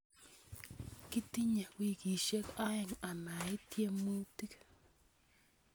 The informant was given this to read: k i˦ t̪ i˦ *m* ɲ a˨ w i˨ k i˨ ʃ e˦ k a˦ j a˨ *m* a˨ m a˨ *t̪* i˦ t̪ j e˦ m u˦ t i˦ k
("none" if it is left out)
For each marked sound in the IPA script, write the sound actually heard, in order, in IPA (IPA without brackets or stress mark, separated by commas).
none, ŋ, none